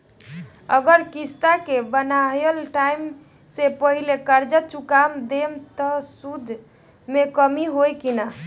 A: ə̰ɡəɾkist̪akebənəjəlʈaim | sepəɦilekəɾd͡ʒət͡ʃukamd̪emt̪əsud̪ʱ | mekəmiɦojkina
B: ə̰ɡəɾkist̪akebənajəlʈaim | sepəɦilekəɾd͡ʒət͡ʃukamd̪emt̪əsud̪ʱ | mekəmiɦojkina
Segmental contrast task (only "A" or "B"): B